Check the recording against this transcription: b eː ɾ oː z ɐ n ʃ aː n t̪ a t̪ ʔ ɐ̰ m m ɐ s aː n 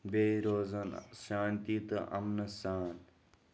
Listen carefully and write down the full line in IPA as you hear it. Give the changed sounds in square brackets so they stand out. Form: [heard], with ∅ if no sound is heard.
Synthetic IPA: b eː ɾ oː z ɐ n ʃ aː n t̪ [i] t̪ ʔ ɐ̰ m [n] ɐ s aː n